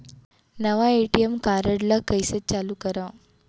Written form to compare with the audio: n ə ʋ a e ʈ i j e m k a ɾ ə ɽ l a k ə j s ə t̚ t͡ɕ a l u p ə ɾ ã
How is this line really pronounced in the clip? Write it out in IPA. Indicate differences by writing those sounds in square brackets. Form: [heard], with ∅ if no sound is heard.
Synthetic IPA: n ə ʋ a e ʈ i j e m k a ɾ ə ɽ l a k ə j s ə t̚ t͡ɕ a l u [k] ə ɾ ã